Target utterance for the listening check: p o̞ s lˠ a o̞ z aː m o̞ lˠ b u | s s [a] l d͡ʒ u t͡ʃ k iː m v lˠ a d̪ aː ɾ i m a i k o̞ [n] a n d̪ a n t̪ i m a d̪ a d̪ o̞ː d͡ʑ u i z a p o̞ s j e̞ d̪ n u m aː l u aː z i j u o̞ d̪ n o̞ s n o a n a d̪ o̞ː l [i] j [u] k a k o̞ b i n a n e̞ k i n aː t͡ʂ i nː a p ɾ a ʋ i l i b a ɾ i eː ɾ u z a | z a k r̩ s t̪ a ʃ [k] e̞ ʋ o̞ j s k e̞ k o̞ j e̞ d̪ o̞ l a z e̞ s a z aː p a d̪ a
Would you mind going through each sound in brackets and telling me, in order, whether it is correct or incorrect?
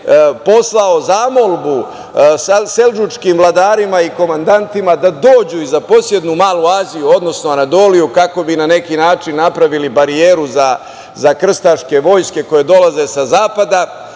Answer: incorrect: e, incorrect: m, correct, correct, correct

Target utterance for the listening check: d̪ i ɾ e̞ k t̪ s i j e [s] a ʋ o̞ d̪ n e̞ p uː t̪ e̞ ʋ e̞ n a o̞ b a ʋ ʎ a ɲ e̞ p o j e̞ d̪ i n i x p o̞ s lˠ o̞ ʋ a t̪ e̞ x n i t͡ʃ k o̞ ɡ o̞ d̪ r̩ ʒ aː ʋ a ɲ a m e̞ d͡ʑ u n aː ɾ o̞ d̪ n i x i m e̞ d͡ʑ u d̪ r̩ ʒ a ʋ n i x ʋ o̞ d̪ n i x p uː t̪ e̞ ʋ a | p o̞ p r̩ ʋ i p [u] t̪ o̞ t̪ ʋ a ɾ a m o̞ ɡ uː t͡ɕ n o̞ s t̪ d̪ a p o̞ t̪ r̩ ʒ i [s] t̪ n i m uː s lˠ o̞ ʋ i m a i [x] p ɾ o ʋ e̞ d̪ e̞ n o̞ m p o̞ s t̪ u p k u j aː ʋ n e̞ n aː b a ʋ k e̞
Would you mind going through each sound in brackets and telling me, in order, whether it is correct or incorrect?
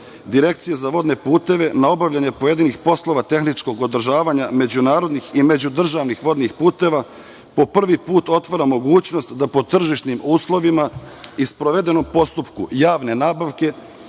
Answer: incorrect: z, incorrect: uː, incorrect: ʃ, incorrect: s

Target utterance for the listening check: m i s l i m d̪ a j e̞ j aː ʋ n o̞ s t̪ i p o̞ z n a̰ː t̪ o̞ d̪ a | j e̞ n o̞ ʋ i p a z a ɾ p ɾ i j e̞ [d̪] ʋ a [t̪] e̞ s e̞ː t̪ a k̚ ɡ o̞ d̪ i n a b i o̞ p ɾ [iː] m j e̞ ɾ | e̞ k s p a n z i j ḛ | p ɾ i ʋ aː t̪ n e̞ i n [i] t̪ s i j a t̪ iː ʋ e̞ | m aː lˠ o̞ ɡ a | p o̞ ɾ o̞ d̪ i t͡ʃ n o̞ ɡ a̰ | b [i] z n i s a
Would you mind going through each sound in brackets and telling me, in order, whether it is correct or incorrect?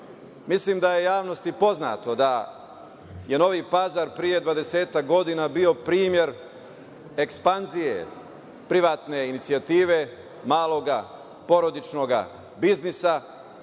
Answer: correct, incorrect: d̪, correct, correct, correct

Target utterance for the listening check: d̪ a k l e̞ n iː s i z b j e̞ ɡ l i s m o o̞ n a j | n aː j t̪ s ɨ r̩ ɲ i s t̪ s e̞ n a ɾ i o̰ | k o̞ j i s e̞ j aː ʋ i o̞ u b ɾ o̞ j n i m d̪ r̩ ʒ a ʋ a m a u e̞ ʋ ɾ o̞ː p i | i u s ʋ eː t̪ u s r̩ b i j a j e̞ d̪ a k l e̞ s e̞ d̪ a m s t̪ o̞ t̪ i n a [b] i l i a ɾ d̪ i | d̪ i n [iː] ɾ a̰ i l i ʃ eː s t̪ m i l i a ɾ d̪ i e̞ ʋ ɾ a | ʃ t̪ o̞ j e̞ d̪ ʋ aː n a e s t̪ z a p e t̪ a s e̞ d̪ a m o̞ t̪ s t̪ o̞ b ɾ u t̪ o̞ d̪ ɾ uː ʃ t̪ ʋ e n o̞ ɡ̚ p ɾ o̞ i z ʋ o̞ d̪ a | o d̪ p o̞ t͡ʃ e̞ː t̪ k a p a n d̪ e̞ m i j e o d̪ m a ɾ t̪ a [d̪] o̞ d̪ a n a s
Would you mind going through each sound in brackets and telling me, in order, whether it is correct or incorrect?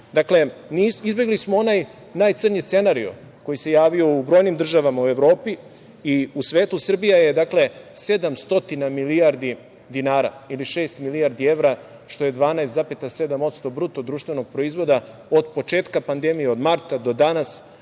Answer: incorrect: m, incorrect: aː, correct

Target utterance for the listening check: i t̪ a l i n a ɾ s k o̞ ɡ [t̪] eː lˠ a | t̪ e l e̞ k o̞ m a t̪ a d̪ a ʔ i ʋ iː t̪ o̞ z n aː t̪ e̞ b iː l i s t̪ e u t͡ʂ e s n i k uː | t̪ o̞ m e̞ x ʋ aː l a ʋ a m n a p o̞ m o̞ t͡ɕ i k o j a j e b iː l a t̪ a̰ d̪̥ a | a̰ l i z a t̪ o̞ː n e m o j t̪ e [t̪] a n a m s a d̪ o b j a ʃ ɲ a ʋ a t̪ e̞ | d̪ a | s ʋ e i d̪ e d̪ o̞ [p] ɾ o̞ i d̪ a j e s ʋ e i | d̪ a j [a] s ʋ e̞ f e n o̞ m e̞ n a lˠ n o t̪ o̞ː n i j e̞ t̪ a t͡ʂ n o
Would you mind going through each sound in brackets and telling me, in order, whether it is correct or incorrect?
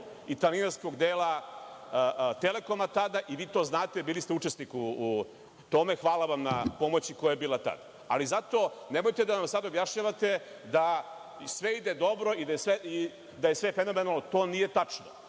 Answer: incorrect: d̪, incorrect: d̪, incorrect: b, incorrect: e

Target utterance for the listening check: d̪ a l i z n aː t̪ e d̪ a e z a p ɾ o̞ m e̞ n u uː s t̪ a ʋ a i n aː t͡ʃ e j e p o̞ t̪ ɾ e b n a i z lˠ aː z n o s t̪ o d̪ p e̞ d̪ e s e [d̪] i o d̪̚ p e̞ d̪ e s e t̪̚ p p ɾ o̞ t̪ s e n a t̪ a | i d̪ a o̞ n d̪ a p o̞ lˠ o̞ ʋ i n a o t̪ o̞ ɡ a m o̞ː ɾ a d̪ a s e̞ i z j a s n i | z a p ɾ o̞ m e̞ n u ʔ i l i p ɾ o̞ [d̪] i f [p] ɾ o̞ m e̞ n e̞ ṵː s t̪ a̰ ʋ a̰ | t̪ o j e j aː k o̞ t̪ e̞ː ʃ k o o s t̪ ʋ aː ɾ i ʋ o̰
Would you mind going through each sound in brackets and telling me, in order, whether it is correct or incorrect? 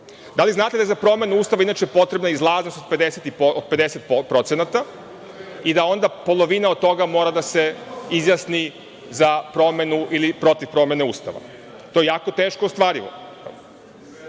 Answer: incorrect: t̪, incorrect: t̪, correct

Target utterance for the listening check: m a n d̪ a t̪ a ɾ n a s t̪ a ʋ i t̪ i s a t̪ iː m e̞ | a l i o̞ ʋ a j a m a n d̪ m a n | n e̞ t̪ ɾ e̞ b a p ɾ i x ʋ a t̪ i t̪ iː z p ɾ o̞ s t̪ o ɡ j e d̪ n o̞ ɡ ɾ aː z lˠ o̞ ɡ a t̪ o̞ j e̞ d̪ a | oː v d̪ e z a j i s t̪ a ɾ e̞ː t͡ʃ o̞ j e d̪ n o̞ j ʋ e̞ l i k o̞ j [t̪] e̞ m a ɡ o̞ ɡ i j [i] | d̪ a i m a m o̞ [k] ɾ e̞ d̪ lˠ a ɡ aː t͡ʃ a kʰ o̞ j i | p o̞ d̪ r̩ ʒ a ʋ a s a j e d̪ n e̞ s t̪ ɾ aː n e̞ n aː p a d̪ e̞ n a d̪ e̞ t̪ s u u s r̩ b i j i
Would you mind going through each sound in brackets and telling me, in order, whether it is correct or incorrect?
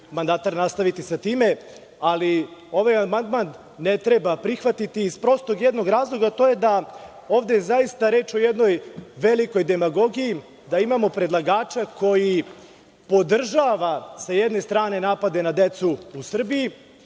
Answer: incorrect: d̪, correct, incorrect: p

